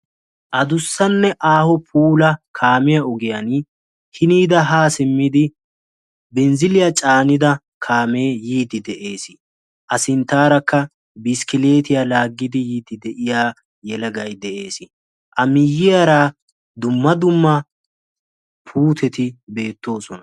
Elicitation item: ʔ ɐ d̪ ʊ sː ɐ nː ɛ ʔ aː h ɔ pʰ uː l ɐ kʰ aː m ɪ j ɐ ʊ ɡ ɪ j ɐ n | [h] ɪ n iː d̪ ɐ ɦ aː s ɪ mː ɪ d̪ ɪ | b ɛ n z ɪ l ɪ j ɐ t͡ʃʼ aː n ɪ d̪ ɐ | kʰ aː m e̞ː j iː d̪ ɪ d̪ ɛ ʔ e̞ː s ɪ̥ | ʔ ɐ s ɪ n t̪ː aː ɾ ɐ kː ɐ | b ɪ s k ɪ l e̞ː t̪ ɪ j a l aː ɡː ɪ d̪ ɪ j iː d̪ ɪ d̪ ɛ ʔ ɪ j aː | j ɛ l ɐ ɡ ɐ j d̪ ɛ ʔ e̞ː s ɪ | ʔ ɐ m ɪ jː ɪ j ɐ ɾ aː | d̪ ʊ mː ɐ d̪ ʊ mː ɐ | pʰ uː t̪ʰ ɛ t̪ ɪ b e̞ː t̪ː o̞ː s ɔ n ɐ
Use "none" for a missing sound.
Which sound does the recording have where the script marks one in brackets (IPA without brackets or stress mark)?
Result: h